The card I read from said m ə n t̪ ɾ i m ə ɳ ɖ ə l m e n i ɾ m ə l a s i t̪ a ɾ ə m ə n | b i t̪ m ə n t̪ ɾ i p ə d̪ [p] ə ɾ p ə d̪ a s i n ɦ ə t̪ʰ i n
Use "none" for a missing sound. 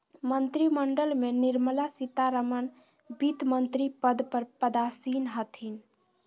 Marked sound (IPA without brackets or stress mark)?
p